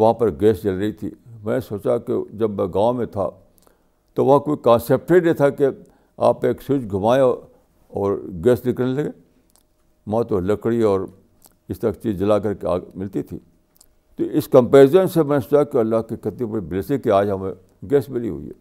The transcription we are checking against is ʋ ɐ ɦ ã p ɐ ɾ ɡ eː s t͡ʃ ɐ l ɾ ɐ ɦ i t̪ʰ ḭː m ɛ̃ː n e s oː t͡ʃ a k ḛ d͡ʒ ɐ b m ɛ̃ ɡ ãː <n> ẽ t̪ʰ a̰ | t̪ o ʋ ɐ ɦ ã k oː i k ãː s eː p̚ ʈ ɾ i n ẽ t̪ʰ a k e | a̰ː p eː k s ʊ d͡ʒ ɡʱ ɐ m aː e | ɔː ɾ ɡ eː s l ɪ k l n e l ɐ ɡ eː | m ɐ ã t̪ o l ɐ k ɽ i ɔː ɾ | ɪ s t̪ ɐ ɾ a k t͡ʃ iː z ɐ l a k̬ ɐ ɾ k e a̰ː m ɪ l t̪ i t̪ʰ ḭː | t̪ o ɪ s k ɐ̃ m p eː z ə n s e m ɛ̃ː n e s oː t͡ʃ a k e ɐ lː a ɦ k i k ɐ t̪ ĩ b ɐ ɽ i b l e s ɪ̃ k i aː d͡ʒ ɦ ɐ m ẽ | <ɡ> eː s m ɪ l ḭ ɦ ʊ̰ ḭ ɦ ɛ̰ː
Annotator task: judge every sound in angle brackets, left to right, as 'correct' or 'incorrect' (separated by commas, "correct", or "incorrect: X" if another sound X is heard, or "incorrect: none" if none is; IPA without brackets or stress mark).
incorrect: m, correct